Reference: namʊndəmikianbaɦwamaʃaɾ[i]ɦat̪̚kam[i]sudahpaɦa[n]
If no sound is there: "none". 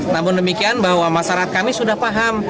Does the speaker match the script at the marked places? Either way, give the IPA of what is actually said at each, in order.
a, i, m

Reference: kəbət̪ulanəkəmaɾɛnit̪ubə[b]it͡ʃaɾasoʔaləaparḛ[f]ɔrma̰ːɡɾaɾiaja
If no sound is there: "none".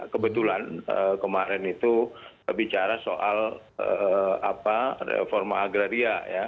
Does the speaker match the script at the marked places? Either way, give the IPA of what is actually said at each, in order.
b, f

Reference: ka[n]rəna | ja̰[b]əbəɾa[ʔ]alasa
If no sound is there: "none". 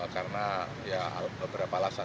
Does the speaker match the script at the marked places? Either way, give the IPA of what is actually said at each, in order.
none, b, p

